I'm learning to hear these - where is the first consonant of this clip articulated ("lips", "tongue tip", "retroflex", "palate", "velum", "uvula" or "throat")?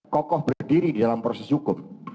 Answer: velum